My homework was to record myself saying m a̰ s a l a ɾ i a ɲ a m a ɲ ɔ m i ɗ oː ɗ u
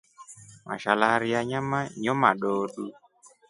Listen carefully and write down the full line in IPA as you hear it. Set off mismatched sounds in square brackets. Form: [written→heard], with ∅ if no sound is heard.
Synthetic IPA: m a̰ [s→ʃ] a l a ɾ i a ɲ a m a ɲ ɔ m [i→a] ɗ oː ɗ u